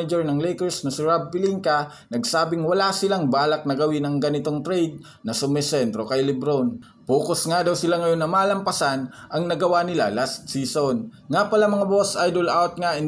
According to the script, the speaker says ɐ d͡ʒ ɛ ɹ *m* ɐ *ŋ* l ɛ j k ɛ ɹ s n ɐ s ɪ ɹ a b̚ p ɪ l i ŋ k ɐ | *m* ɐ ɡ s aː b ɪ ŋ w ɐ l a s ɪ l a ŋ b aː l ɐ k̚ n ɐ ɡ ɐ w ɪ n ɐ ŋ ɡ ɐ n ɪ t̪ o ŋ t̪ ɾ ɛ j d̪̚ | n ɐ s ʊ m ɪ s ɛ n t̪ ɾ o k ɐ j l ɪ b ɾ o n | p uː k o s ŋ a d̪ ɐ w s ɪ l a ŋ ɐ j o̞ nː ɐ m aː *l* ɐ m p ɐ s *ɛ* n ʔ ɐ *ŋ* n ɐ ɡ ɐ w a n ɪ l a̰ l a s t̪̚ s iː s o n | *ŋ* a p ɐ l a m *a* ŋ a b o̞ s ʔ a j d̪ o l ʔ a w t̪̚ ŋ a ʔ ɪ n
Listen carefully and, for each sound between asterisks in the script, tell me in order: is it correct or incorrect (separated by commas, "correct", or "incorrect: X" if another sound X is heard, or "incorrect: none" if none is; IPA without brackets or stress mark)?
incorrect: n, correct, incorrect: n, correct, incorrect: a, correct, correct, incorrect: ɐ